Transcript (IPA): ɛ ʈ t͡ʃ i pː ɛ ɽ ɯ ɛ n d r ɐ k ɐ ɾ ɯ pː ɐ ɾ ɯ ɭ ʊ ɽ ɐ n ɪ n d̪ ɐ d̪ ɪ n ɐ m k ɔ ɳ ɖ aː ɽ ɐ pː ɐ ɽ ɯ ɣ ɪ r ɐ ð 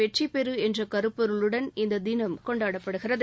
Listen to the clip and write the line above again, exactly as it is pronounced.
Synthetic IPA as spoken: ɛ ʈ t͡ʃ i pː ɛ ɾ ɯ ɛ n d r ɐ k ɐ ɾ ɯ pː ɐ ɾ ɯ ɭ ɯ ɽ ɐ n ɪ n d̪ ɐ d̪ ɪ n ɐ m k ɔ ɳ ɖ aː ɽ ɐ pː ɐ ɽ ɯ ɣ ɪ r ɐ ð